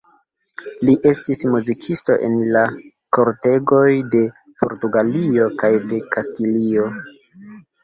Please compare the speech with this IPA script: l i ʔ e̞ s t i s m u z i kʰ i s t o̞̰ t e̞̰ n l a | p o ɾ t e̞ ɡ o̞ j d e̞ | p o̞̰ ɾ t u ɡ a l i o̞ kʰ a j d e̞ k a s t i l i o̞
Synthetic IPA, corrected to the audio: l i ʔ e̞ s t i s m u z i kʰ i s t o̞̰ ʔ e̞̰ n l a | k o ɾ t e̞ ɡ o̞ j d e̞ | p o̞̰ ɾ t u ɡ a l i o̞ k a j d e̞ k a s t i l i o̞